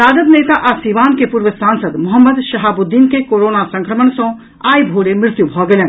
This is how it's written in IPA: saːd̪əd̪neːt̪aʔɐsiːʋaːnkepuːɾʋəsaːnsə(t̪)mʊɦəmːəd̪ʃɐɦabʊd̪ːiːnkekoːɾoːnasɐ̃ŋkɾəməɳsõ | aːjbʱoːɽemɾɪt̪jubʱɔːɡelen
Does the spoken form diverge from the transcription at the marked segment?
yes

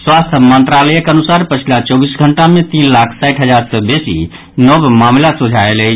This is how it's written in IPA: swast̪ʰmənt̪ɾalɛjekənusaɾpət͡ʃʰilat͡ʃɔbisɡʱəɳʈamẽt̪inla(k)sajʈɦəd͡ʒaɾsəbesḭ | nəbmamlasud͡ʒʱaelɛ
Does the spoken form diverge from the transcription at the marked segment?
yes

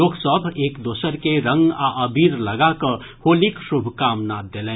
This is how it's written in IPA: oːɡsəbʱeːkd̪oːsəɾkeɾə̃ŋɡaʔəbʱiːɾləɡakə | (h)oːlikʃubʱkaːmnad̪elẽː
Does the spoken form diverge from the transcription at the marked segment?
no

